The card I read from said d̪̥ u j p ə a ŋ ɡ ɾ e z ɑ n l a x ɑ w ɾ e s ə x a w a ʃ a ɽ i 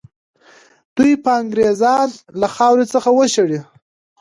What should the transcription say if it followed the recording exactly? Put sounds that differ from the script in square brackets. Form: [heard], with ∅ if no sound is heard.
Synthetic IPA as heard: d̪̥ u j p ə a ŋ ɡ ɾ e z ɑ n l a x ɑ w ɾ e [t͡s] ə x a w [ə] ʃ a ɽ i